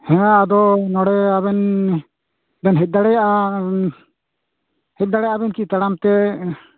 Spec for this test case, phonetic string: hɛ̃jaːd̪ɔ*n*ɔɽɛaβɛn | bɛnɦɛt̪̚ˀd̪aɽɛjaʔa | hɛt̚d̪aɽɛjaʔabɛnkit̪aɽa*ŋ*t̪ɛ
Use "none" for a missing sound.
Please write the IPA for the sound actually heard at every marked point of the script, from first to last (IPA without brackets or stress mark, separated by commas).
n, m